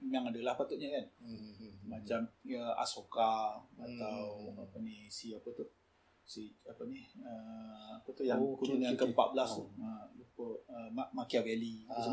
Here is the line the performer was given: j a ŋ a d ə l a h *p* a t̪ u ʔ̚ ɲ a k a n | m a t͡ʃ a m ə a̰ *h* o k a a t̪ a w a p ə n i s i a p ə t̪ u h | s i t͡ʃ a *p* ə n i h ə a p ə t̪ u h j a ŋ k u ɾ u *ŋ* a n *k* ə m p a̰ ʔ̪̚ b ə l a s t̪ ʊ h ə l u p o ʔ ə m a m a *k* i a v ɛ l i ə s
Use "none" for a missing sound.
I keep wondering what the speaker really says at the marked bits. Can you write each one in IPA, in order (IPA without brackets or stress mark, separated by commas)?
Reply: p, s, p, n, k, k